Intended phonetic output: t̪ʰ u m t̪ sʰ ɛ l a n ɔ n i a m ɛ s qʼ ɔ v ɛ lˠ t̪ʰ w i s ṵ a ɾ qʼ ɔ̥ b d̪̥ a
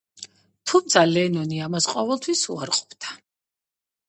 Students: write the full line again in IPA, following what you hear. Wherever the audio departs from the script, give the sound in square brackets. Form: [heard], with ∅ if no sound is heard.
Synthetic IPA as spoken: t̪ʰ u m t̪ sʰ [a] l [ɛ] n ɔ n i a m [a] s qʼ ɔ v ɛ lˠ t̪ʰ w i s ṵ a ɾ qʼ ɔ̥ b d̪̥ a